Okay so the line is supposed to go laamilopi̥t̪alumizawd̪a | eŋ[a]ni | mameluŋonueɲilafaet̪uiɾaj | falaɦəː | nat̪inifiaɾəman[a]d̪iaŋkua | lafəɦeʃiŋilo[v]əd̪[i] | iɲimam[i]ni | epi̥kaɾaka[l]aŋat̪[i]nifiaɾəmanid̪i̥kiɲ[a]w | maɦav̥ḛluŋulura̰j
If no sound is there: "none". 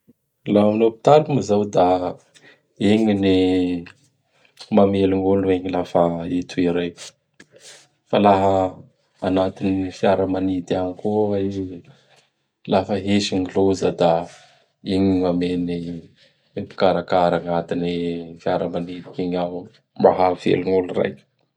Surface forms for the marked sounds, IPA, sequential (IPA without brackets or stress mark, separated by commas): i, i, z, a, e, ɾ, i, a